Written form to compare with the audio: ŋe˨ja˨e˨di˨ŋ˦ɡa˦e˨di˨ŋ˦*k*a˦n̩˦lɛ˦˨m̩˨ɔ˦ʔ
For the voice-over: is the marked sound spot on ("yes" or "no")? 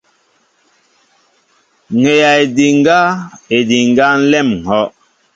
no